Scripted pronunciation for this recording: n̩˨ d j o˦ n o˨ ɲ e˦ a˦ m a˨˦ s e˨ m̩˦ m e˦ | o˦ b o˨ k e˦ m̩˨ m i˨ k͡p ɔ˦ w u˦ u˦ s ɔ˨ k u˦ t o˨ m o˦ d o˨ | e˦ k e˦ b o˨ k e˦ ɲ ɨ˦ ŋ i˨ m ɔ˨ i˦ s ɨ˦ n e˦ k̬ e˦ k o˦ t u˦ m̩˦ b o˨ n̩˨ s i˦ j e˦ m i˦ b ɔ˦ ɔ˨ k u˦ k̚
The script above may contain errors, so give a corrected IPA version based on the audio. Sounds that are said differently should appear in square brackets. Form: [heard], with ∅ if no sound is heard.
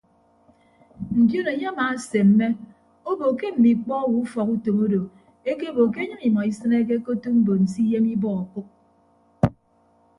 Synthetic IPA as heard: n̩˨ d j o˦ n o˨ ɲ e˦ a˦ m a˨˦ s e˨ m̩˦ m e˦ | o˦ b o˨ k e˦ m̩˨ m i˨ k͡p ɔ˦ w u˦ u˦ [f] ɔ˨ k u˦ t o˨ m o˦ d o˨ | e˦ k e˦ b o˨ k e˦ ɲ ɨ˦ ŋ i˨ m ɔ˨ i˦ s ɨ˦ n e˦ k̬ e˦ k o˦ t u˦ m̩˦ b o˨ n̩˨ s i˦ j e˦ m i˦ b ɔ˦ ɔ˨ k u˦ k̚

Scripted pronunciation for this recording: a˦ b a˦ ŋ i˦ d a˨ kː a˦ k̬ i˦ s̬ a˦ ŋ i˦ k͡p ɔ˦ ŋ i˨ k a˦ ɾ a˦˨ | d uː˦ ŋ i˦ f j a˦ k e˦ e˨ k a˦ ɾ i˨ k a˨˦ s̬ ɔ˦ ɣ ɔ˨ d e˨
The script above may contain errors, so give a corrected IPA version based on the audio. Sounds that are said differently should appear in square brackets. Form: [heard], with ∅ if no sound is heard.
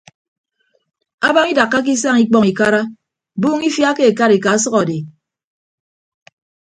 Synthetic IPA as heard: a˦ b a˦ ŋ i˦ d a˨ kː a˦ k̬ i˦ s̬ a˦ ŋ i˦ k͡p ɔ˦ ŋ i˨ k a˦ ɾ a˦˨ | [b] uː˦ ŋ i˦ f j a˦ k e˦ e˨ k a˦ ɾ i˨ k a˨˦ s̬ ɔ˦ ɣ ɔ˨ d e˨

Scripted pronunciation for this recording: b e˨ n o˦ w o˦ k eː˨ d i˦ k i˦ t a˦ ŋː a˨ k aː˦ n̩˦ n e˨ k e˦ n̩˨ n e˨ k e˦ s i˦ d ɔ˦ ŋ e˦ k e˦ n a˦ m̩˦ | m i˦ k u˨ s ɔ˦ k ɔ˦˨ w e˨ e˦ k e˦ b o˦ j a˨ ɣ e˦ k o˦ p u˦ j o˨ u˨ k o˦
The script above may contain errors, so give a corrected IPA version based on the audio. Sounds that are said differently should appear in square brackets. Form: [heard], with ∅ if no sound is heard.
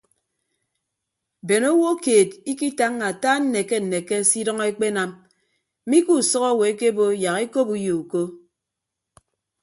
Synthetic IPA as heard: b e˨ n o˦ w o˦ k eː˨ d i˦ k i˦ t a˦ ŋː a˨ [t] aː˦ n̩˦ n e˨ k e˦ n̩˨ n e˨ k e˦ s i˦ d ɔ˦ ŋ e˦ [k͡p] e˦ n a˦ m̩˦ | m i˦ k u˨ s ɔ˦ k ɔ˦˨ w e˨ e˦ k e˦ b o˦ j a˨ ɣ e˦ k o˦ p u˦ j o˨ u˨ k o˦

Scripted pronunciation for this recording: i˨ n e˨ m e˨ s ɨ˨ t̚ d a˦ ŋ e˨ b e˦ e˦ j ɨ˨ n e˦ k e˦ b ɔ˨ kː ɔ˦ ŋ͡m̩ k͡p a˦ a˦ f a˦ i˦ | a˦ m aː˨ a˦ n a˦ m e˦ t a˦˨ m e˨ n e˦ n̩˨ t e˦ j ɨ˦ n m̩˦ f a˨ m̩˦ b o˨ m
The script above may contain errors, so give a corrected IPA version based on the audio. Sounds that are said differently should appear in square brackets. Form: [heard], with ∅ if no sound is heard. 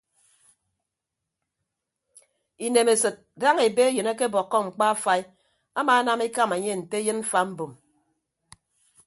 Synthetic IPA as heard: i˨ n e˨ m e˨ s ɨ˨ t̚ d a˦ ŋ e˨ b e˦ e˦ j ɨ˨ n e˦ k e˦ b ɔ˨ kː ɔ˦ ŋ͡m̩ k͡p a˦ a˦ f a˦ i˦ | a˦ m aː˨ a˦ n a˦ m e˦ [k] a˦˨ m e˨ [ɲ] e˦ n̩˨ t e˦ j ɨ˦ n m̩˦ f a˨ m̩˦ b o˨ m

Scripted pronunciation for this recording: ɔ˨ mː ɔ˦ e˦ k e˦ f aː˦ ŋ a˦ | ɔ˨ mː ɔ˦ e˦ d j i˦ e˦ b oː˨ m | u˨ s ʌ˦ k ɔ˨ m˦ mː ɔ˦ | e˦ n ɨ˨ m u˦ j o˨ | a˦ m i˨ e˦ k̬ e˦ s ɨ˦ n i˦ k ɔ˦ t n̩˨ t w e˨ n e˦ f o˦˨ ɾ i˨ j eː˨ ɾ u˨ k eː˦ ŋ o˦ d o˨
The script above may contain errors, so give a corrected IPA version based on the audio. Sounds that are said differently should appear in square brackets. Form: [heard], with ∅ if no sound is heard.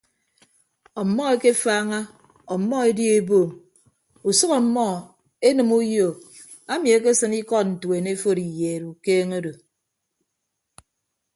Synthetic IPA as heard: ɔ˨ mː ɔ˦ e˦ k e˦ f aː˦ ŋ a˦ | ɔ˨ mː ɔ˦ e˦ d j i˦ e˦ b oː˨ m | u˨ s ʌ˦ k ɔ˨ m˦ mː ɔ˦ | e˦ n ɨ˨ m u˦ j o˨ | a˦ m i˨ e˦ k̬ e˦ s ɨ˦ n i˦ k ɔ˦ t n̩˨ t w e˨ n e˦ f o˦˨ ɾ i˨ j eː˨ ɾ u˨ k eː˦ ŋ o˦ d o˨

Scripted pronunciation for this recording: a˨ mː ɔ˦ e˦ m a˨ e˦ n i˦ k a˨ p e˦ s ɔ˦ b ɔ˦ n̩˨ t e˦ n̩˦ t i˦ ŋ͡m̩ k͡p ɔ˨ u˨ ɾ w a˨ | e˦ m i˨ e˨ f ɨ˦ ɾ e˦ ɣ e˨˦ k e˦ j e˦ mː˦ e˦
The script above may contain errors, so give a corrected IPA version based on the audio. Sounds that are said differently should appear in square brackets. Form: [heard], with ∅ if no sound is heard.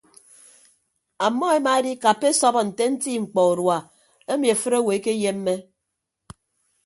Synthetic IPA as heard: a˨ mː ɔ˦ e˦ m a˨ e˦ [d] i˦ k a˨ p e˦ s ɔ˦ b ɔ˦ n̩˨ t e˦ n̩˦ t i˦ ŋ͡m̩ k͡p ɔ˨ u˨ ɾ w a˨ | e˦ m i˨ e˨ f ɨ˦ ɾ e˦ [w] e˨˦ k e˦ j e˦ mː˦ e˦

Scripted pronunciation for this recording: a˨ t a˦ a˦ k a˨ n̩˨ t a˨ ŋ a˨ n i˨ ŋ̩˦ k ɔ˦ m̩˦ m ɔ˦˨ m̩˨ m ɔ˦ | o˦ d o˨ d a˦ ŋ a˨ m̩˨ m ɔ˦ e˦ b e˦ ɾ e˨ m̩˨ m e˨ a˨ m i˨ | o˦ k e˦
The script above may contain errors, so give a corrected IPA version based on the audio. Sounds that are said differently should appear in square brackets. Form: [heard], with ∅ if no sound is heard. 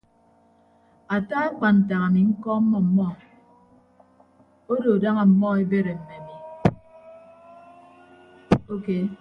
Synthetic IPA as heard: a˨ t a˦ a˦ [k͡p] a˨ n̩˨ t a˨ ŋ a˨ [m] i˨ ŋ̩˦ k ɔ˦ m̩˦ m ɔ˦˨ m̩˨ m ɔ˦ | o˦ d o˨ d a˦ ŋ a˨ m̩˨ m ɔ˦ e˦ b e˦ ɾ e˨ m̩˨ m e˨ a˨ m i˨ | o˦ k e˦

